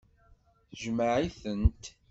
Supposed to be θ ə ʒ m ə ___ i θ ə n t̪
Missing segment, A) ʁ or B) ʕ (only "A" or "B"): B